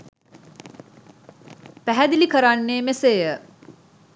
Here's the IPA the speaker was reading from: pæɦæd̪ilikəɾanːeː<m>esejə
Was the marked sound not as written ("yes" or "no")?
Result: no